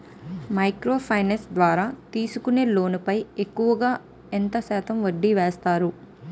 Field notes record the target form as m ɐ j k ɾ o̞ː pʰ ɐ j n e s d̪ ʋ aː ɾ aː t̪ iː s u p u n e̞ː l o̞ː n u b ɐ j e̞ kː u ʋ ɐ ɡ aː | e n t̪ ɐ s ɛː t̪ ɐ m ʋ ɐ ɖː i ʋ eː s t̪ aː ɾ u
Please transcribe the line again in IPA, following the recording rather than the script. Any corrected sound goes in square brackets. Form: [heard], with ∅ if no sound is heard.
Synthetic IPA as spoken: m ɐ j k ɾ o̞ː pʰ ɐ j n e s d̪ ʋ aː ɾ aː t̪ iː s u [k] u n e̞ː l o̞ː n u [p] ɐ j e̞ kː u ʋ ɐ ɡ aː | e n t̪ ɐ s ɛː t̪ ɐ m ʋ ɐ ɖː i ʋ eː s t̪ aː ɾ u